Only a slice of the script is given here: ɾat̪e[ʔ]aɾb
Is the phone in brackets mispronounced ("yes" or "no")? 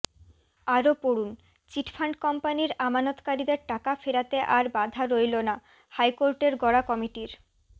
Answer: no